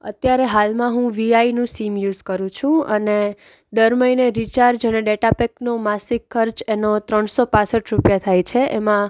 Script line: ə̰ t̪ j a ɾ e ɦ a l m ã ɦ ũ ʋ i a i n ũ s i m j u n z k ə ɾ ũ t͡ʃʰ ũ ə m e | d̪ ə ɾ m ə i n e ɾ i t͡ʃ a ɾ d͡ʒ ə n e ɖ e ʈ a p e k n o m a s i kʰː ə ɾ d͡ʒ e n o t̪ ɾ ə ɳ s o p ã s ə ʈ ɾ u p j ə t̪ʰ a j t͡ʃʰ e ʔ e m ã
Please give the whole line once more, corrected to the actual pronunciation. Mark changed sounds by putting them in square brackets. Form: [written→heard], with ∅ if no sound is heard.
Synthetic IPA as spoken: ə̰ t̪ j a ɾ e ɦ a l m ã ɦ ũ ʋ i a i n ũ s i m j u [n→∅] z k ə ɾ ũ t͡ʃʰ ũ ə [m→n] e | d̪ ə ɾ m ə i n e ɾ i t͡ʃ a ɾ d͡ʒ ə n e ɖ e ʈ a p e k n o m a s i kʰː ə ɾ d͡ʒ e n o t̪ ɾ ə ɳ s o p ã s ə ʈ ɾ u p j [ə→a] t̪ʰ a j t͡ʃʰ e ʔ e m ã